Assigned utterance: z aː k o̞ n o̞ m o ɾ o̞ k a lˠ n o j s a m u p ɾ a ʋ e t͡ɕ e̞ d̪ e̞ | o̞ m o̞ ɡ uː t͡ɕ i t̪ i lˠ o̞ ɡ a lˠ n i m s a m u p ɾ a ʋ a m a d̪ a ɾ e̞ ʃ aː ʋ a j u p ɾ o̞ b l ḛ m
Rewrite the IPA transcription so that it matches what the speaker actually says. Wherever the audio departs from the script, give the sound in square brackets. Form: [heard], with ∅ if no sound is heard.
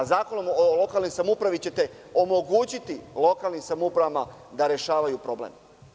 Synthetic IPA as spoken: z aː k o̞ n o̞ m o [l] o̞ k a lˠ n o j s a m u p ɾ a ʋ [i] t͡ɕ e̞ [t̪] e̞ | o̞ m o̞ ɡ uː t͡ɕ i t̪ i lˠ o̞ [k] a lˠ n i m s a m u p ɾ a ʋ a m a d̪ a ɾ e̞ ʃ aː ʋ a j u p ɾ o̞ b l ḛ m